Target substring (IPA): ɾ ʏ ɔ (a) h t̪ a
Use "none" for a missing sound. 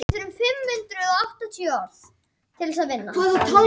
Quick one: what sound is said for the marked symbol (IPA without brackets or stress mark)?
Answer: a